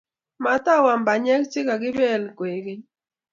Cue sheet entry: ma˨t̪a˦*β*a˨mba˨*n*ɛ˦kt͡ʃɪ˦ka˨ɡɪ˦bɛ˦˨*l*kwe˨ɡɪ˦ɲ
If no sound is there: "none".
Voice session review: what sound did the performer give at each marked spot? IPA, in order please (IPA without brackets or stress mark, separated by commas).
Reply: w, ɲ, l